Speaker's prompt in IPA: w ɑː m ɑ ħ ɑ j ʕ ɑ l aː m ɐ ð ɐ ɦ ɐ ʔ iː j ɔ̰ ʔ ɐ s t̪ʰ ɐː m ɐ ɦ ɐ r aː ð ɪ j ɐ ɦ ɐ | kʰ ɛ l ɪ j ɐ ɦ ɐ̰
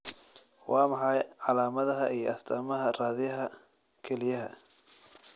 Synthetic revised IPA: w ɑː m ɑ ħ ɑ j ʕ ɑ l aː m ɐ ð ɐ ɦ ɐ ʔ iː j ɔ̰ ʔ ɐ s t̪ʰ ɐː m ɐ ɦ ɐ r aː ð ɪ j ɐ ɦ ɐ | kʰ ɛ l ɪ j ɐ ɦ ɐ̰